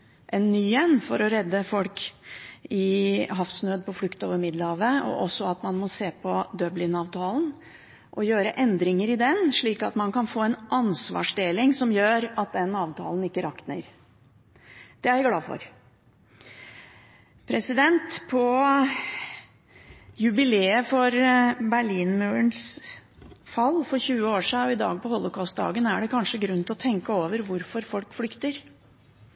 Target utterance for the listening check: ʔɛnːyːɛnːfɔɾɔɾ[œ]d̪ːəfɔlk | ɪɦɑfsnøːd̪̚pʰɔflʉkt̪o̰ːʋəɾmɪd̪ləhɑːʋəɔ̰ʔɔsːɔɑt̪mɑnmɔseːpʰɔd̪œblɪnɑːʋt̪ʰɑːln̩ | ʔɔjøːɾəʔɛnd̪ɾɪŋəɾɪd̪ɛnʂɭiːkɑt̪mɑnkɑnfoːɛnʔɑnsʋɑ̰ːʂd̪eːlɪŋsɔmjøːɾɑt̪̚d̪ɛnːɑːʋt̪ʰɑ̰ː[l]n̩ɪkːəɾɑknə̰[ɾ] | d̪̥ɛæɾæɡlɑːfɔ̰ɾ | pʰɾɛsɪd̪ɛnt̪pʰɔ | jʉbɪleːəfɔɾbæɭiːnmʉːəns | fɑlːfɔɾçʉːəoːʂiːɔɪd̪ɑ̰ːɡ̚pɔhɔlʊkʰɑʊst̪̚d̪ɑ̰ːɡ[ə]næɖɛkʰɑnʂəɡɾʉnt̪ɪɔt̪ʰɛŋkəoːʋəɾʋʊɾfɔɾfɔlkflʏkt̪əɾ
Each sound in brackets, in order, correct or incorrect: incorrect, correct, correct, correct

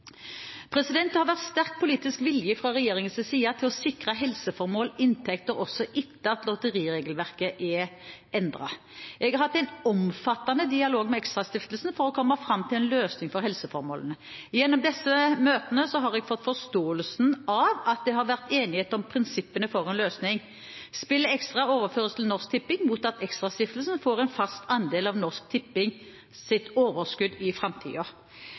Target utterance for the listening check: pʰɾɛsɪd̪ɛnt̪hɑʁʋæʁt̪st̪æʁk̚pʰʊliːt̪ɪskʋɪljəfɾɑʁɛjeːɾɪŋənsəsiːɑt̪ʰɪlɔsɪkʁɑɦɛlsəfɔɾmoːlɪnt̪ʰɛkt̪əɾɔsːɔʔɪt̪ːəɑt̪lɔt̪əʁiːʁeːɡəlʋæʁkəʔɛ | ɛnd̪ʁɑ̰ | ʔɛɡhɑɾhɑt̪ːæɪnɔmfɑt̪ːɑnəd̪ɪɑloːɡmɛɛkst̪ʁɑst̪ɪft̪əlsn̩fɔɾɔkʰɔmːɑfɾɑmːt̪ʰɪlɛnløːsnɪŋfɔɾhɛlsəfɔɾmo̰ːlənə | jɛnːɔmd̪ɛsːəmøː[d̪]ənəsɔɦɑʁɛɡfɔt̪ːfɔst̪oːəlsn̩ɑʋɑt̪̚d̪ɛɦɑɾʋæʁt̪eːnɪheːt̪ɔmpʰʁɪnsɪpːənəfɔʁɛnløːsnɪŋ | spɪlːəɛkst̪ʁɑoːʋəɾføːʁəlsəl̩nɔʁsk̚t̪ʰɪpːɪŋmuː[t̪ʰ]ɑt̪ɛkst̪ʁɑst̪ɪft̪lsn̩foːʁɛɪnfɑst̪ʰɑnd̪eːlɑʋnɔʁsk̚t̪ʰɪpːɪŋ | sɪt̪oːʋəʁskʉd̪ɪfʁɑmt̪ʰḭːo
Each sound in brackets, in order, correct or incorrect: incorrect, incorrect

